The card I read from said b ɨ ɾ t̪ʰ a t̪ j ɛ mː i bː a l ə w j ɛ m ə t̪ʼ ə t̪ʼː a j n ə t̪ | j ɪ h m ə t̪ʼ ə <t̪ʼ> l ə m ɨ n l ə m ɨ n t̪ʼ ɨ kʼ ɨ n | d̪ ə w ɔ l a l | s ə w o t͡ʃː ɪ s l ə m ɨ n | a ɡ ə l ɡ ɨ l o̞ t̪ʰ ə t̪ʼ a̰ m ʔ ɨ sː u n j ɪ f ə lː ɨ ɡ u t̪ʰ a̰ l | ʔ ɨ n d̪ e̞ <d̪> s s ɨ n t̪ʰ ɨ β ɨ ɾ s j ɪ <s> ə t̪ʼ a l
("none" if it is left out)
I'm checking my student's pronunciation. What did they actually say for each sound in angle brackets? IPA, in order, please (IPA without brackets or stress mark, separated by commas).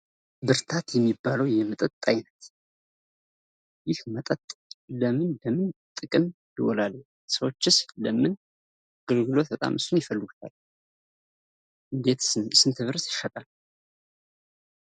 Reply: t̪ʼ, t̪, ʃ